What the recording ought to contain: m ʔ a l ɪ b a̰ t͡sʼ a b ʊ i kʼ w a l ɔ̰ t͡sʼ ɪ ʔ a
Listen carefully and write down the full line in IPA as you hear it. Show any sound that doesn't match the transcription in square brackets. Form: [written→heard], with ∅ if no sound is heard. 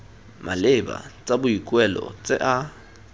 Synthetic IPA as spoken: m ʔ a l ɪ b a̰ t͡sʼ a b ʊ i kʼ w [a→ɛ] l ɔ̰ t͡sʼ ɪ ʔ a